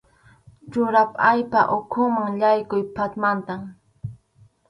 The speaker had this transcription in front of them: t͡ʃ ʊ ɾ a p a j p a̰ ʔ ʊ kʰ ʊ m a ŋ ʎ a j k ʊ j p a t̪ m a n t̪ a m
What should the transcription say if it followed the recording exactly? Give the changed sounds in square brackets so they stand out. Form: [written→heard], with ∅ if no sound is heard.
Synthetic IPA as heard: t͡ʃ ʊ ɾ a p a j p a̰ ʔ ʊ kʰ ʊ m a ŋ ʎ a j k ʊ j p a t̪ m a n t̪ a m